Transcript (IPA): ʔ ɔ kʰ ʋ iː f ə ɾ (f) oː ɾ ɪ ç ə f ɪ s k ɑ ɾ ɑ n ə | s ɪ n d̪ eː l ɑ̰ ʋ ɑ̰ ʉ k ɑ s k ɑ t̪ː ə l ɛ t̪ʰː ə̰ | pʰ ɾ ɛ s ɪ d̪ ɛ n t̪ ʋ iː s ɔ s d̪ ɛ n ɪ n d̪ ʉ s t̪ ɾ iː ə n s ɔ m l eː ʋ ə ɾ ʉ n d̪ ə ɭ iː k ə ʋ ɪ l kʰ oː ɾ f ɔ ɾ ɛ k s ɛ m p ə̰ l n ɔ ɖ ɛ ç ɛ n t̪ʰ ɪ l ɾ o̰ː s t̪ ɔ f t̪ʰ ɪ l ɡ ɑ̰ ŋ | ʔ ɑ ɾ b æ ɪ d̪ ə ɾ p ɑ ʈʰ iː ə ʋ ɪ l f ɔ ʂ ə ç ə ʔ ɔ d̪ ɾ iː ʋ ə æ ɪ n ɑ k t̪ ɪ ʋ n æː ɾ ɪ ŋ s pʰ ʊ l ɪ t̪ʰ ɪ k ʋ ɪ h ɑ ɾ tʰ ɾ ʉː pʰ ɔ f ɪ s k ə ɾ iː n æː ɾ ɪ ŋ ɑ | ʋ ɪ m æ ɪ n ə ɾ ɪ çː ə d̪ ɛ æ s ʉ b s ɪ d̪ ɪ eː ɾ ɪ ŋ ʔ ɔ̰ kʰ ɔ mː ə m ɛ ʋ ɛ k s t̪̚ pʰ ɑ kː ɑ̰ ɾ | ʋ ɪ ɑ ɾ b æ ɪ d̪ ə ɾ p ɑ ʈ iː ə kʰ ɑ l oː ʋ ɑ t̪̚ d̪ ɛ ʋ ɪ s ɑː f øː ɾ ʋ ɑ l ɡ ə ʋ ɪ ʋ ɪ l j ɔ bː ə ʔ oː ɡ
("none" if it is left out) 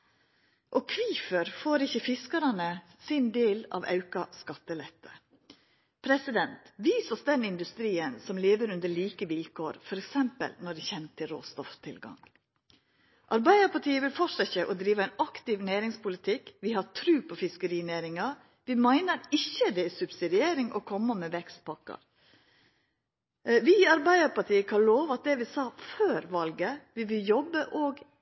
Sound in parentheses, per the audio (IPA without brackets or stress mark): f